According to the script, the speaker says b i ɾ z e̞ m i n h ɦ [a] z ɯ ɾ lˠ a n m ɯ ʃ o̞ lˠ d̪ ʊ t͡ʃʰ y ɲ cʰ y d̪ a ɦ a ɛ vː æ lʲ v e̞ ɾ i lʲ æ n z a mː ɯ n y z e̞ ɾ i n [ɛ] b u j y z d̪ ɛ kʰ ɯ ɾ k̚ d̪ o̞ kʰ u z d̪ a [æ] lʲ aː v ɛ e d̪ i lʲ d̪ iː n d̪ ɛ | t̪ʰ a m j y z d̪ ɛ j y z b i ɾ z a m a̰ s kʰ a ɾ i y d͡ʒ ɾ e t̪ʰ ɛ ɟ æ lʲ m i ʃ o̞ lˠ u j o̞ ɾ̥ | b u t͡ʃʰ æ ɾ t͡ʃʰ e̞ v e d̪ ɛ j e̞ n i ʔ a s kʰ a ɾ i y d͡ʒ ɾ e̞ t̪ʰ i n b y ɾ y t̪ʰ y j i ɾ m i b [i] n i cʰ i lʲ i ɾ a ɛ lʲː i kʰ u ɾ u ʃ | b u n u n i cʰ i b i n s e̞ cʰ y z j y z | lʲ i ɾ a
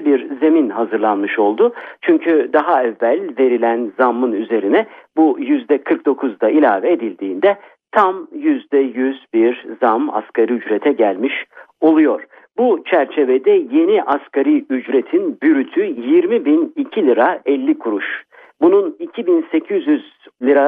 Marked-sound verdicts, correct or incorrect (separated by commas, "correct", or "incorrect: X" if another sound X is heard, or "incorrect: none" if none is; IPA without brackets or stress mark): correct, correct, incorrect: i, correct